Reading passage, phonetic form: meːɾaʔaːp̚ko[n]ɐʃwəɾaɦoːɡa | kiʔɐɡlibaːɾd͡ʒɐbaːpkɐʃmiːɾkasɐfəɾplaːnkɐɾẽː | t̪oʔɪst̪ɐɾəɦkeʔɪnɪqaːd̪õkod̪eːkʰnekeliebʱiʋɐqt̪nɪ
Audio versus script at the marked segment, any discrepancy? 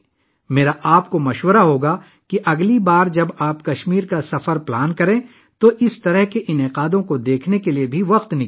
yes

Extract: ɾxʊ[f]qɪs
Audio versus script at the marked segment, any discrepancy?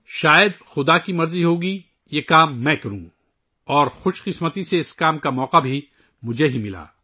yes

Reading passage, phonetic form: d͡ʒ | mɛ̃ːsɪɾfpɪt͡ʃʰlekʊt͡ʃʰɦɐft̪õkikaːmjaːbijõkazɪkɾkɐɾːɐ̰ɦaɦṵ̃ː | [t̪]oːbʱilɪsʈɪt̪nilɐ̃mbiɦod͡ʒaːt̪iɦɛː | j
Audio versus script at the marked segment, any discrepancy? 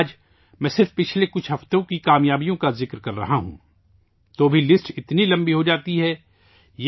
no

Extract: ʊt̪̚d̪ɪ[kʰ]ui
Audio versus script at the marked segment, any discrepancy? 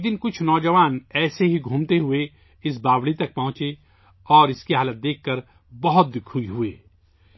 no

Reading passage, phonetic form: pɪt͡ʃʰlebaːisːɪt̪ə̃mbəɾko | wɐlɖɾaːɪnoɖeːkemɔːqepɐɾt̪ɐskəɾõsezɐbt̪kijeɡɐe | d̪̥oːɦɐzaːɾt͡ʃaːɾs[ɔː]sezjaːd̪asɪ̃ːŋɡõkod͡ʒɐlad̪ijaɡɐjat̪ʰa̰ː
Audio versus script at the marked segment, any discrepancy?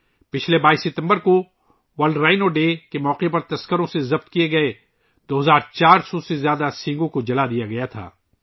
yes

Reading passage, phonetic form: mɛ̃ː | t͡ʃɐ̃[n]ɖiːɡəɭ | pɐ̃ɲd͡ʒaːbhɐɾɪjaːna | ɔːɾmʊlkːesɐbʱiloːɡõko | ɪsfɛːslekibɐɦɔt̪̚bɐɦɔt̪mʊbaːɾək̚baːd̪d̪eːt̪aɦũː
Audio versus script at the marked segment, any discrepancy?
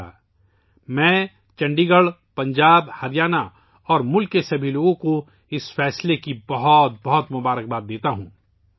yes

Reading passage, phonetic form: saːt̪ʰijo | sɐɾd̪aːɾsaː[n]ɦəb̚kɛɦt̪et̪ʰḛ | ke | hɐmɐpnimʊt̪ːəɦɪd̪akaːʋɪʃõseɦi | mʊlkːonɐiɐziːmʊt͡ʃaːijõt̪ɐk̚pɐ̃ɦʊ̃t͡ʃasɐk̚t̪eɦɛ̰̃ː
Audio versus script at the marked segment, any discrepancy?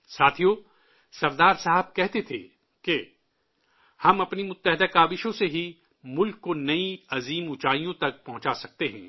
yes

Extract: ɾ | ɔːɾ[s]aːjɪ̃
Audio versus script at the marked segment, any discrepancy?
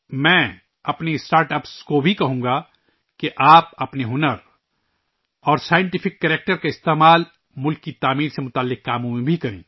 no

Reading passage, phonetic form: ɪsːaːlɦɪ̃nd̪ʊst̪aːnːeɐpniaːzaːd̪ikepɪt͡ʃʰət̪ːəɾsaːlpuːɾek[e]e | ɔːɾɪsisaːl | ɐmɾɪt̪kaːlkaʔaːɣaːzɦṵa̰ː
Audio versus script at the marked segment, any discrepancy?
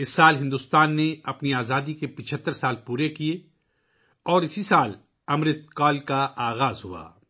yes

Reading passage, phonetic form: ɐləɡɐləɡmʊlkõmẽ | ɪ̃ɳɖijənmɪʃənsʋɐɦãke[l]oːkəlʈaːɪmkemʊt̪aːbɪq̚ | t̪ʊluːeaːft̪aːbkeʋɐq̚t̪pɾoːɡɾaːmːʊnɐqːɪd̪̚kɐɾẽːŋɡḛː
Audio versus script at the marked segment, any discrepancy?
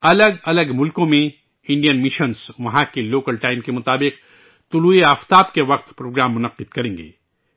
no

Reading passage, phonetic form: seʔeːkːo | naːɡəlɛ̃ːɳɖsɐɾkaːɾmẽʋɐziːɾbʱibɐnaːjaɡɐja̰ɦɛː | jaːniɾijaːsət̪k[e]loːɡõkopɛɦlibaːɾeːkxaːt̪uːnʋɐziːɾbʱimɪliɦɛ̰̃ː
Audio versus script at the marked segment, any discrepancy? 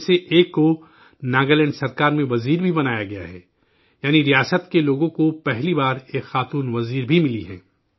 no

